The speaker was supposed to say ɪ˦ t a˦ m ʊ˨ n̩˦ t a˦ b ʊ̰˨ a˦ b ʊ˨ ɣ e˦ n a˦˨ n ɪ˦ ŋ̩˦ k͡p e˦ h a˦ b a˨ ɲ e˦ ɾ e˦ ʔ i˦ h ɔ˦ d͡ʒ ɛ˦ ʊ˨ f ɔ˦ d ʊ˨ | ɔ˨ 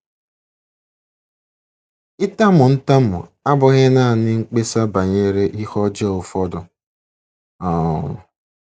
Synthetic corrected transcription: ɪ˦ t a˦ m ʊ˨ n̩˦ t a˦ m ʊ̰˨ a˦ b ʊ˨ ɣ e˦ n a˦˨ n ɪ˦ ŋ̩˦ k͡p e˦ s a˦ b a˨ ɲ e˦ ɾ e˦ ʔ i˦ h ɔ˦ d͡ʒ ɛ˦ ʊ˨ f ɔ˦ d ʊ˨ | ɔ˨